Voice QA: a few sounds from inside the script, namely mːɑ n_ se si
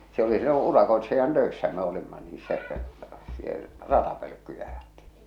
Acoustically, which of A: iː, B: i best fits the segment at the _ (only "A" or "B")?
A